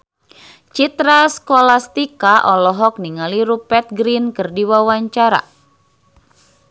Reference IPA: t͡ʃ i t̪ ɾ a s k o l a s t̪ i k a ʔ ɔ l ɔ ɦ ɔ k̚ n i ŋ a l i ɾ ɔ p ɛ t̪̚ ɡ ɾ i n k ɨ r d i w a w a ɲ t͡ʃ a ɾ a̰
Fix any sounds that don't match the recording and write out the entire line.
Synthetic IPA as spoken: t͡ʃ i t̪ ɾ a s k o l a s t̪ i k a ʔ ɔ l ɔ ɦ ɔ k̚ n i ŋ a l i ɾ u p ɛ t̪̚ ɡ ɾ i n k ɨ r d i w a w a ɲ t͡ʃ a ɾ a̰

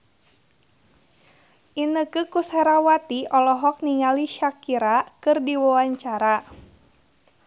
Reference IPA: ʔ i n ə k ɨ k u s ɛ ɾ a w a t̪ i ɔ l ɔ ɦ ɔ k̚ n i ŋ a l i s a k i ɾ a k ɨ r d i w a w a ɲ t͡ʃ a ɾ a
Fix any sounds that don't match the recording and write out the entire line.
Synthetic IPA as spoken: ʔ i n ə k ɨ k u s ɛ ɾ a w a t̪ i ɔ l ɔ ɦ ɔ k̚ n i ŋ a l i ʃ a k i ɾ a k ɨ r d i w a w a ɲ t͡ʃ a ɾ a

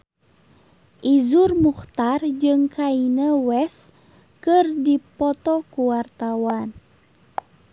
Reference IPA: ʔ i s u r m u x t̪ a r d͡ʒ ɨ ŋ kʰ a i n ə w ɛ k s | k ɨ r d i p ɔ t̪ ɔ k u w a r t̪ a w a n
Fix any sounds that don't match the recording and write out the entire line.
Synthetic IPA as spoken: ʔ i z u r m u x t̪ a r d͡ʒ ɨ ŋ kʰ a i n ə w ɛ s | k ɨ r d i p ɔ t̪ ɔ k u w a r t̪ a w a n

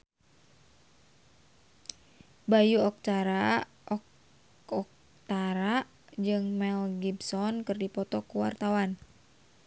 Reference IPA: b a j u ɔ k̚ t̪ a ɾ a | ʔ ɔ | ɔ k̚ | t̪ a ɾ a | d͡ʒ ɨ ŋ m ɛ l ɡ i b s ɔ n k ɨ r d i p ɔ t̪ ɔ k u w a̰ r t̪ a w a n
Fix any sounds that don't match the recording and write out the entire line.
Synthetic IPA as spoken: b a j u ɔ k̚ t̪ a ɾ a | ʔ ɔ | ɔ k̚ | t̪ a ɾ a | d͡ʒ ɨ ŋ m ɛ l ɡ i b s ɔ n k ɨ r d i p ɔ t̪ ɔ k u w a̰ r t̪ a w a n

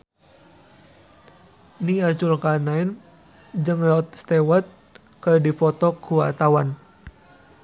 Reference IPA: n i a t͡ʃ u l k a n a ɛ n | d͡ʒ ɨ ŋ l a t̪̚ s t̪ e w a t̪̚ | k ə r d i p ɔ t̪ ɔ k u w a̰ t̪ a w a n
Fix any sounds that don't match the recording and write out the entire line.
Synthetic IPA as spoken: n i a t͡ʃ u l k a n a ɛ n | d͡ʒ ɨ ŋ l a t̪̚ s t̪ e w a t̪̚ | k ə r d i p ɔ t̪ ɔ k u w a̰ t̪ a w a n

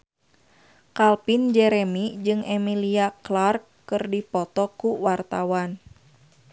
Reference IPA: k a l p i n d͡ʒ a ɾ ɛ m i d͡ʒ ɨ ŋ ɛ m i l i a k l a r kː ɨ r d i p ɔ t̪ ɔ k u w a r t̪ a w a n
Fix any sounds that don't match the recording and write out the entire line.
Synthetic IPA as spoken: k a l p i n d͡ʒ ɛ ɾ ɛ m i d͡ʒ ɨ ŋ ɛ m i l i a k l a r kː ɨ r d i p ɔ t̪ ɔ k u w a r t̪ a w a n

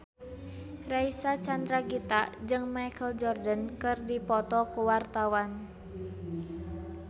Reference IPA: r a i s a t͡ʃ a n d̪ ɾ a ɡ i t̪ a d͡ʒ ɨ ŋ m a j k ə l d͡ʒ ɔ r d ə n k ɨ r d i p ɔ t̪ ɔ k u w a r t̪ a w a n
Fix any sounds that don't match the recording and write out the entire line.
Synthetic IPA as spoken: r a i s a t͡ʃ a n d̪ ɾ a ɡ i t̪ a d͡ʒ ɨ ŋ m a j k ə l d͡ʒ ɔ r d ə n k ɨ r d i p ɔ t̪ ɔ k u w a r t̪ a w a n

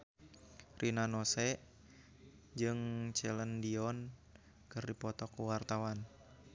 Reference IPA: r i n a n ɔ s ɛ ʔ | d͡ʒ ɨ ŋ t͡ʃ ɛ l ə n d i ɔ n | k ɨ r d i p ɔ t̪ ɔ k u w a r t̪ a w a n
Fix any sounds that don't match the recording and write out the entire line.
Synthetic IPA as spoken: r i n a n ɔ s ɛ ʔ | d͡ʒ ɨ ŋ t͡ʃ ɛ l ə n d i ɔ n | k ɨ r d i p ɔ t̪ ɔ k u w a r t̪ a w a n

